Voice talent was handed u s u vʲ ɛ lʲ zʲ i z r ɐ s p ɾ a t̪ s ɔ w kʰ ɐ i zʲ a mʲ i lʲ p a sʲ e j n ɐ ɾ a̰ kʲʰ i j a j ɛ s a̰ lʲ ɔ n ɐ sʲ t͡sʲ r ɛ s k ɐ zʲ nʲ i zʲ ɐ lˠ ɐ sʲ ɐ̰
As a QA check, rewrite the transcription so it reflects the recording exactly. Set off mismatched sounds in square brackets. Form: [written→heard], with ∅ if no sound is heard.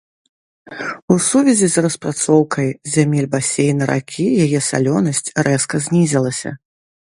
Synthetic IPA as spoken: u s u vʲ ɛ [lʲ→∅] zʲ i z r ɐ s p ɾ a t̪ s ɔ w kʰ ɐ [i→j] zʲ a mʲ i lʲ [p→b] a sʲ e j n ɐ ɾ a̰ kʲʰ i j a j ɛ s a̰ lʲ ɔ n ɐ sʲ t͡sʲ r ɛ s k ɐ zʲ nʲ i zʲ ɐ lˠ ɐ sʲ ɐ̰